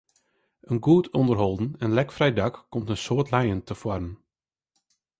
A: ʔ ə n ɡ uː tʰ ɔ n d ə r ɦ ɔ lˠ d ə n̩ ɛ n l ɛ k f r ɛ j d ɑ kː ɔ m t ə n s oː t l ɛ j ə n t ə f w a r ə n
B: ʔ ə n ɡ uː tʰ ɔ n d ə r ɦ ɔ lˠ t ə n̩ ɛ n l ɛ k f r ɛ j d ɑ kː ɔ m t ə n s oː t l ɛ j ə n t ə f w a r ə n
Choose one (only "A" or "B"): A